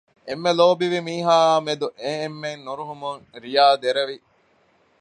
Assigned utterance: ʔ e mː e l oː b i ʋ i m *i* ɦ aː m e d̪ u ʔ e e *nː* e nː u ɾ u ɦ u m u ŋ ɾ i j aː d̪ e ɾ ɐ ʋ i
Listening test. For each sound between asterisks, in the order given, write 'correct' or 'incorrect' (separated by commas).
incorrect, incorrect